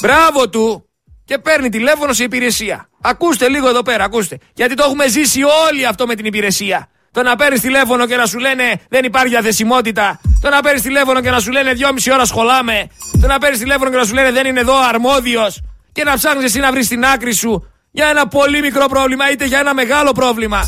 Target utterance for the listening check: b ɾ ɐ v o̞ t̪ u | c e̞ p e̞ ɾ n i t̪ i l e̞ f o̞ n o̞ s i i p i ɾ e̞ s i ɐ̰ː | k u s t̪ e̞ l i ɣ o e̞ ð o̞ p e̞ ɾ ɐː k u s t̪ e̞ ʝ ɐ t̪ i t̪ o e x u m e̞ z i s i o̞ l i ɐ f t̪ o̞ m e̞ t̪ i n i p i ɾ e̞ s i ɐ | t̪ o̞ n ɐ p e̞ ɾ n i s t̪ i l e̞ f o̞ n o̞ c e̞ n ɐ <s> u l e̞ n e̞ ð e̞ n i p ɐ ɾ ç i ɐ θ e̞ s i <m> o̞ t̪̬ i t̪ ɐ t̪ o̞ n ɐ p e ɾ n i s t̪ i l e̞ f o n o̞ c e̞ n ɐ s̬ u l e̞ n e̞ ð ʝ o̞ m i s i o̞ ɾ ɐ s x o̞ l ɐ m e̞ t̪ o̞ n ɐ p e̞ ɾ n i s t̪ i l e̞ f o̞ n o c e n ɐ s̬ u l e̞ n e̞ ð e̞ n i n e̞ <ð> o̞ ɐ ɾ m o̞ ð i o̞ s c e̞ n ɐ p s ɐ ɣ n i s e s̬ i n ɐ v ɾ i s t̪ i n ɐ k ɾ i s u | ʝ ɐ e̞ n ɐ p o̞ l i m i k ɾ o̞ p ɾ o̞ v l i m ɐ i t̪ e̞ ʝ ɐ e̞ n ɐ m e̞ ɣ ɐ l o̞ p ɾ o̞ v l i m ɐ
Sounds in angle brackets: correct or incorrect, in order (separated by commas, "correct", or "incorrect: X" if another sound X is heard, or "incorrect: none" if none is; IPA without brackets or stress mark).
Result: correct, correct, correct